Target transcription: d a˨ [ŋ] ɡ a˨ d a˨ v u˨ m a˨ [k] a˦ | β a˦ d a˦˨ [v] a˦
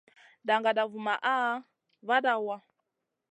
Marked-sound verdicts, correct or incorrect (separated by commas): correct, incorrect, incorrect